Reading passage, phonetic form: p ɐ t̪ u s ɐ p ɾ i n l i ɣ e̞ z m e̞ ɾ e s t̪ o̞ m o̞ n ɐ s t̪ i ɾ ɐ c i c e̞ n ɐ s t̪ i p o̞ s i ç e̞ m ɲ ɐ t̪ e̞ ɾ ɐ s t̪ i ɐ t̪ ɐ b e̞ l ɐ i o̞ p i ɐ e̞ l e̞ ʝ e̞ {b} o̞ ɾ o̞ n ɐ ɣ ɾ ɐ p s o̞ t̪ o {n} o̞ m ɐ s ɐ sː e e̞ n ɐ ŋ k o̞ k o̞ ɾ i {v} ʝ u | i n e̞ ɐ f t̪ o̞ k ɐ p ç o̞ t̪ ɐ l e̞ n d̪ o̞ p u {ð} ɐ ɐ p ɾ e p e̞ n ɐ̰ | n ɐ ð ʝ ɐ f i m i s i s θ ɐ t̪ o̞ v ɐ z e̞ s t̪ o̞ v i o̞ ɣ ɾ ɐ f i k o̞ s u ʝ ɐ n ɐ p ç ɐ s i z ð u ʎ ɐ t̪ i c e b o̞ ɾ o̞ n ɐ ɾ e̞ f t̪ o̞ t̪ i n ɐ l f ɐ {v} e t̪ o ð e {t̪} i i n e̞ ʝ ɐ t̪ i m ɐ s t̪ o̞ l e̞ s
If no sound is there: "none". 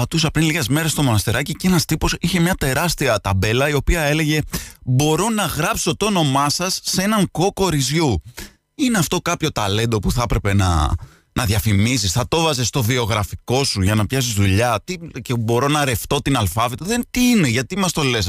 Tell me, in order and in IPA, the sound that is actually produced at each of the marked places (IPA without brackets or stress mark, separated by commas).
b, n, z, θ, v, t̪